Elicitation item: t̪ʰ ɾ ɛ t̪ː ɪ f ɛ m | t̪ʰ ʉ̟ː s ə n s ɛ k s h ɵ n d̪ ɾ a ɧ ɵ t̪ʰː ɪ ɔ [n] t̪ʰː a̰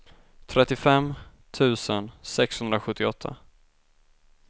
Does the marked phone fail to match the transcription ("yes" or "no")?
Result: yes